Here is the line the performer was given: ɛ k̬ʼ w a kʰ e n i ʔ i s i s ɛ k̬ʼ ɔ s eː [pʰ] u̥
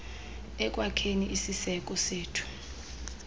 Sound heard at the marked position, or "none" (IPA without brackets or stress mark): tʰ